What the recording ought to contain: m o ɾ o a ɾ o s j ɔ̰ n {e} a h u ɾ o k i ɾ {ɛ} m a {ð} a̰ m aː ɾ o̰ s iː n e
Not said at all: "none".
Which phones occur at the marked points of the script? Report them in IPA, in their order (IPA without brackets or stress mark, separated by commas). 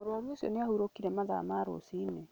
e, ɛ, ð